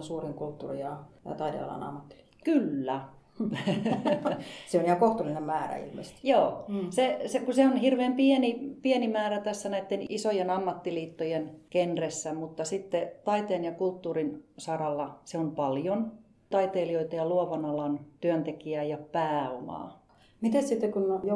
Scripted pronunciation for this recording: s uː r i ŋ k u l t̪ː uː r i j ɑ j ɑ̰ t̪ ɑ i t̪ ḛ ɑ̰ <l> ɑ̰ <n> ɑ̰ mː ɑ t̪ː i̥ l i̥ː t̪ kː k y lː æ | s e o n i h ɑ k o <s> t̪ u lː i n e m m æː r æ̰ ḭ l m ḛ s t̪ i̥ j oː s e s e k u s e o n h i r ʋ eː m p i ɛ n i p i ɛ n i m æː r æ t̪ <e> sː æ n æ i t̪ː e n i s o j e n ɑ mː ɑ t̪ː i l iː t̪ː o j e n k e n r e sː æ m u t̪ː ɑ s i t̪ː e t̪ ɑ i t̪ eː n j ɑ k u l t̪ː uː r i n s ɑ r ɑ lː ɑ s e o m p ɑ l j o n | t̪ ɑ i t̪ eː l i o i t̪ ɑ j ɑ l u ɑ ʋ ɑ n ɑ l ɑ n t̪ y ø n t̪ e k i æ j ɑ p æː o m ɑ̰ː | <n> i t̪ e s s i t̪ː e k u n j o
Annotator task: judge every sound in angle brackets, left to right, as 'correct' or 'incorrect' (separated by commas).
correct, correct, incorrect, incorrect, incorrect